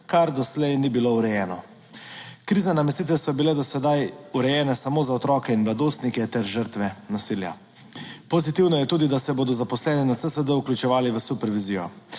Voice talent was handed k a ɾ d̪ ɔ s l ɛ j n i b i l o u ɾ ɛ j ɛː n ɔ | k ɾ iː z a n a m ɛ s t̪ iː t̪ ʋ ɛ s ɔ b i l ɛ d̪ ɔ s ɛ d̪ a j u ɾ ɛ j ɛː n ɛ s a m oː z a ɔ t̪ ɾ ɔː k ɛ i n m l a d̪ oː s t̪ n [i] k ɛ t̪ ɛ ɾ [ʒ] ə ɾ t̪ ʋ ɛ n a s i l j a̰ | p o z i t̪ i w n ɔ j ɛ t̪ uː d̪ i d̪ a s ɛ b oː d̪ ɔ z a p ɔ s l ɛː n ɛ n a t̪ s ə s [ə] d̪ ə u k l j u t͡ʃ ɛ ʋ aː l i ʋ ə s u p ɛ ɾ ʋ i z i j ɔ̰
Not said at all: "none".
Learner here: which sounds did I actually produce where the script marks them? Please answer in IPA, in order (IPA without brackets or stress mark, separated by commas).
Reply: i, ʒ, ə